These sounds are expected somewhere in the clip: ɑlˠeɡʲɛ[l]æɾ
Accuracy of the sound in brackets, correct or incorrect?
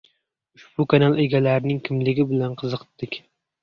correct